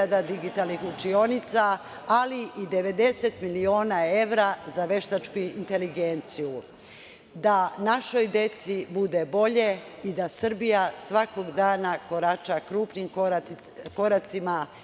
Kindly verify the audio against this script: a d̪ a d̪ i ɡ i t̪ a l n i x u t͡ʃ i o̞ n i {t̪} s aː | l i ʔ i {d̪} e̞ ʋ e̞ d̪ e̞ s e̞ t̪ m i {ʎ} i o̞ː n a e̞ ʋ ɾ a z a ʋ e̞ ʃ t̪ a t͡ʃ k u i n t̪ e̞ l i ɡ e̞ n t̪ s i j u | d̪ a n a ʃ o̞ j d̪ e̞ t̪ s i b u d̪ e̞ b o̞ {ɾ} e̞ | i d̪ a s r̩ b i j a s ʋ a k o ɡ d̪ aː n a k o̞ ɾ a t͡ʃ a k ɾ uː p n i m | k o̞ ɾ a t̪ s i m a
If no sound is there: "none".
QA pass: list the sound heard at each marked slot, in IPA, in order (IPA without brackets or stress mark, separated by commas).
t̪, d̪, l, ʎ